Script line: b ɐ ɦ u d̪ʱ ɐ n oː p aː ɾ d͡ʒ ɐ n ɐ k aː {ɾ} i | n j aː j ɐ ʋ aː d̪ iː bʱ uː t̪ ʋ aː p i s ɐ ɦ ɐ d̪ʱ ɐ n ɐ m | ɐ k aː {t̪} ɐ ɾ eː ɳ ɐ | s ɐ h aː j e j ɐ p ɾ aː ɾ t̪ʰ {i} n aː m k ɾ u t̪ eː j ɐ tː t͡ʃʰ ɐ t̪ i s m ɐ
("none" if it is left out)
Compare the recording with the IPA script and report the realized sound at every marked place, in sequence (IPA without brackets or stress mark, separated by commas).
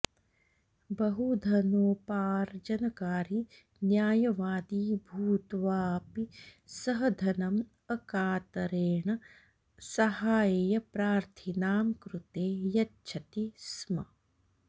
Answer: ɾ, t̪, i